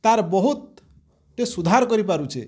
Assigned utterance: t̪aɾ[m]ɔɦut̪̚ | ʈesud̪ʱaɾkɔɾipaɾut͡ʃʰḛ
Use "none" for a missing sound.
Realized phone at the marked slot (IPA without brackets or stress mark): b